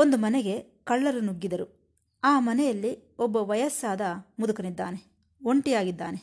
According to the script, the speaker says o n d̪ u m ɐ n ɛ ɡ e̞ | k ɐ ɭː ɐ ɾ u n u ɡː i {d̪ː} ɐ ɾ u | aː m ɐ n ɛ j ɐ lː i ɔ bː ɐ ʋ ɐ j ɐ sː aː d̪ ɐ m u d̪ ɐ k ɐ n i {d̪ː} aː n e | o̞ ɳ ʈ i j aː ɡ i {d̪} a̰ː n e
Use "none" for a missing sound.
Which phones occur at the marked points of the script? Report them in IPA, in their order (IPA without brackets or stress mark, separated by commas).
d̪, d̪ː, d̪ː